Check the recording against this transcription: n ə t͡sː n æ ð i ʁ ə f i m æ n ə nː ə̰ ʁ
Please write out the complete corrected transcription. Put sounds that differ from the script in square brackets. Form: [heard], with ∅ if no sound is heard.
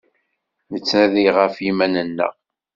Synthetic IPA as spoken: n ə t͡sː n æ ð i ʁ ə f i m æ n ə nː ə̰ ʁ